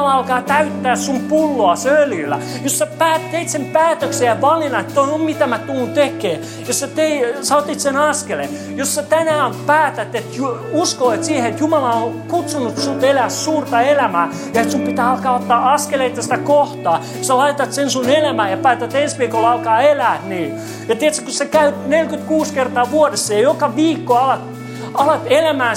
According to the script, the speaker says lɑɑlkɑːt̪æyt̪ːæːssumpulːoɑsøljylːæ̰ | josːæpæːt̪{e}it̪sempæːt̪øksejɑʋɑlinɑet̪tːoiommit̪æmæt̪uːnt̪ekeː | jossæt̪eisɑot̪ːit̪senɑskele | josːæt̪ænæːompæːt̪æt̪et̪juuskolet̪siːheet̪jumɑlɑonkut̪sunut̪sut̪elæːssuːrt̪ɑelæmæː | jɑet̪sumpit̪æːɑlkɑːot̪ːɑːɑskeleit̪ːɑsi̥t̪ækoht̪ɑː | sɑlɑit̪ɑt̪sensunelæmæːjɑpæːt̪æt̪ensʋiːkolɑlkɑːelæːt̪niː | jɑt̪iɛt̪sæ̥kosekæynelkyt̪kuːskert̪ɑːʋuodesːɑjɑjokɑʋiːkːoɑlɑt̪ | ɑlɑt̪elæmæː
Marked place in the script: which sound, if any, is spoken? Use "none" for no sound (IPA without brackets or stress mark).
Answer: e